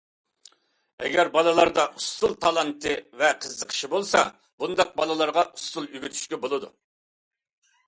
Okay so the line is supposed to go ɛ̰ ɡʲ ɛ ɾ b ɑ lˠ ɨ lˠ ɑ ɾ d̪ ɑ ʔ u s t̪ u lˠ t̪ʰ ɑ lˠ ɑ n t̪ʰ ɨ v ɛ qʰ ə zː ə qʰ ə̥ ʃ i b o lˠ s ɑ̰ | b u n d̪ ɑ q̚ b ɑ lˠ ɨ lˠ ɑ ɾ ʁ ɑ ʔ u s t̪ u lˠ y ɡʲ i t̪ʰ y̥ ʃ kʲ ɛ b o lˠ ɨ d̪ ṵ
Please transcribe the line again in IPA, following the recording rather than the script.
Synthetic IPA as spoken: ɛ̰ ɡʲ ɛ ɾ b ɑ lˠ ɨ lˠ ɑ ɾ d̪ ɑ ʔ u s t̪ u lˠ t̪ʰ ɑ lˠ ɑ n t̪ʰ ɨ v ɛ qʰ ə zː ə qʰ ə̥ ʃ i b o lˠ s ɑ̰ | b u n d̪ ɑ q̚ b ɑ lˠ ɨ lˠ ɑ ɾ ʁ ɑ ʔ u s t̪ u lˠ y ɡʲ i t̪ʰ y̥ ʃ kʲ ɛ b o lˠ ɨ d̪ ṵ